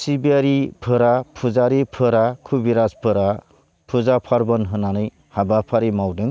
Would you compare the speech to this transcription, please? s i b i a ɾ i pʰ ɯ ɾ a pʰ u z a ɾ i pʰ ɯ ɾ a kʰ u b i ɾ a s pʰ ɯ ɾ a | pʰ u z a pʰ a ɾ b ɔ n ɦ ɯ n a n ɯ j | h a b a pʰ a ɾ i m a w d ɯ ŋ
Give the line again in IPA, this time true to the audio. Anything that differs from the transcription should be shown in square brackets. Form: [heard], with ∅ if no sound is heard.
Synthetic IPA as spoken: s i b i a ɾ i pʰ ɯ ɾ a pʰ u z a ɾ i pʰ ɯ ɾ a kʰ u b i ɾ a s pʰ ɯ ɾ a | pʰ u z a pʰ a ɾ b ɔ n ɦ ɯ n a n ɯ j | h a b a pʰ a ɾ i m a w d ɯ ŋ